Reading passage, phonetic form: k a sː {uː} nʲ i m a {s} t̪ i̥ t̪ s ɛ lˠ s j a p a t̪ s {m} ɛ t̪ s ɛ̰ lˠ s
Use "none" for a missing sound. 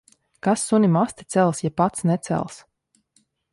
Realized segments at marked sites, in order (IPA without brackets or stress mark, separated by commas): u, s, n